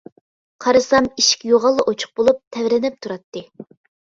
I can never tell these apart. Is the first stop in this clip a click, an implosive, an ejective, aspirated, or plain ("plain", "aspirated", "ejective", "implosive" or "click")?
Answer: aspirated